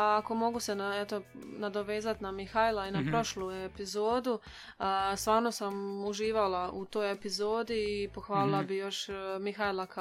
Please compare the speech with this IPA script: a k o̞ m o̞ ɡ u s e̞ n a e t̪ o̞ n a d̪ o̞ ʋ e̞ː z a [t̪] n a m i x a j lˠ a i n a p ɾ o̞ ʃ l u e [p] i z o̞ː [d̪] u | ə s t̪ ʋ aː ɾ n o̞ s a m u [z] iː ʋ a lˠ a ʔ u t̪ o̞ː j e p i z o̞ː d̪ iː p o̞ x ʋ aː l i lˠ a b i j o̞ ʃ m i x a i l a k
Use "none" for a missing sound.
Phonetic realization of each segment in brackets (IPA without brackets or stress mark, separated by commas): t̪, p, d̪, ʒ